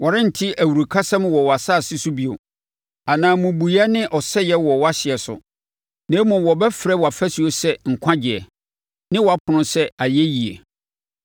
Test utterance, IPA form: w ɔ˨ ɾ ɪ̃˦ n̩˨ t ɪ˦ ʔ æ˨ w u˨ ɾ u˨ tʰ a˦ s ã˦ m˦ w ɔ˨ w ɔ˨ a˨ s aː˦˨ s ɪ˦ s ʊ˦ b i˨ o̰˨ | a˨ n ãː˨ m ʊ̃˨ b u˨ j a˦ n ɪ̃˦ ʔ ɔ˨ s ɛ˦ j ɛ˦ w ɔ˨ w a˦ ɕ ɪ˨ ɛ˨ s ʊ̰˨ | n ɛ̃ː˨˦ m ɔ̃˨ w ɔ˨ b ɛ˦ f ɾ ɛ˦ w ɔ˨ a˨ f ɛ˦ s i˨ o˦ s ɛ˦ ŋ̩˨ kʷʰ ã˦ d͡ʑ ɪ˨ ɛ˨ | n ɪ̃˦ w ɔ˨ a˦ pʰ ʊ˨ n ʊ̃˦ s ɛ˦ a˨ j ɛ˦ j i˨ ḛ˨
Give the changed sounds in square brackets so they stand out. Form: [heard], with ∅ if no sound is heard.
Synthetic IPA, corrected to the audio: w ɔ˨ ɾ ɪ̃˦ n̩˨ [tʰ] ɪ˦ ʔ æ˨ w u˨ ɾ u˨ [kʰ] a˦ s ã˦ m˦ w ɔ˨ w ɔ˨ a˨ s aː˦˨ s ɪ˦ s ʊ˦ b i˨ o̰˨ | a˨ n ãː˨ m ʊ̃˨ b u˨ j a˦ n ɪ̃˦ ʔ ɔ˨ s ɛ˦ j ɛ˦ w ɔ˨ w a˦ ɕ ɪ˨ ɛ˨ s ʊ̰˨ | n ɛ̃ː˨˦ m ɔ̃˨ w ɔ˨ b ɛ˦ f ɾ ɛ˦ w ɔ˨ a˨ f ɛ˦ s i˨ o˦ s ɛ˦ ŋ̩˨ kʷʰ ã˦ d͡ʑ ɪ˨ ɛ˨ | n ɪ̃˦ w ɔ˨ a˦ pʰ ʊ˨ n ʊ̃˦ s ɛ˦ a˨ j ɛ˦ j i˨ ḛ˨